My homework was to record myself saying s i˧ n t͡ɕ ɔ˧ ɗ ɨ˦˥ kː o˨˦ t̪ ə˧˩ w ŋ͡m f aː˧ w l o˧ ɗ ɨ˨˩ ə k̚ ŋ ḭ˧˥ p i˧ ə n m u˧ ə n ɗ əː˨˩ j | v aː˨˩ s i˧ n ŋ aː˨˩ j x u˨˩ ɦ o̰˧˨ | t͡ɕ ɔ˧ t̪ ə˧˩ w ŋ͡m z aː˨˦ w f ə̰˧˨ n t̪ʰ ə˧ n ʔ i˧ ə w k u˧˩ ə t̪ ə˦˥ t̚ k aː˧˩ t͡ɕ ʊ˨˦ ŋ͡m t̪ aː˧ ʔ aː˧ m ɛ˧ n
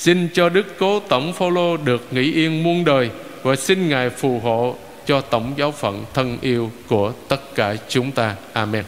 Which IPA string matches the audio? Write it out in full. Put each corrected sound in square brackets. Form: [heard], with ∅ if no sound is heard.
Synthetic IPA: s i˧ n t͡ɕ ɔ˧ ɗ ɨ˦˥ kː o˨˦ t̪ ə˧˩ w ŋ͡m f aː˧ w l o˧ ɗ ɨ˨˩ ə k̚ ŋ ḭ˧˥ [ʔ] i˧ ə n m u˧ ə n ɗ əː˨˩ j | v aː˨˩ s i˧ n ŋ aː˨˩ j [f] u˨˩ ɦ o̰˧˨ | t͡ɕ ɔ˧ t̪ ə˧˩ w ŋ͡m z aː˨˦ w f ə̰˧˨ n t̪ʰ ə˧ n ʔ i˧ ə w k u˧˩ ə t̪ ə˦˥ t̚ k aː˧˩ t͡ɕ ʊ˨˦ ŋ͡m t̪ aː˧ ʔ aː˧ m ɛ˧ n